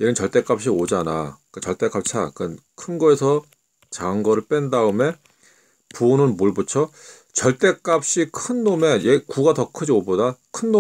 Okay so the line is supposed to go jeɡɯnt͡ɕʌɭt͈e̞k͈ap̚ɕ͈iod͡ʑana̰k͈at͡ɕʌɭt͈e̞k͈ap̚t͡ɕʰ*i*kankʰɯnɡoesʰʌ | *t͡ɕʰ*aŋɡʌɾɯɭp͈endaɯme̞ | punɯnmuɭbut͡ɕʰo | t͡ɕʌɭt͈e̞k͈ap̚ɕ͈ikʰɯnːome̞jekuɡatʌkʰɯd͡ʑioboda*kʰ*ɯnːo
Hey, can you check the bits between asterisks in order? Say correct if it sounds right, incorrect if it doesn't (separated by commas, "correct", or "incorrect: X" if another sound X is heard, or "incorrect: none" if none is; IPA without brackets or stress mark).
incorrect: a, incorrect: t͡ɕ, correct